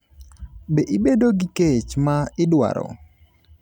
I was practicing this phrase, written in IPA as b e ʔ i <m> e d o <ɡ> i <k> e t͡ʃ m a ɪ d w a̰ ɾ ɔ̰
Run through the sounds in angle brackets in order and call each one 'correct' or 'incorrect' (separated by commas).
incorrect, correct, correct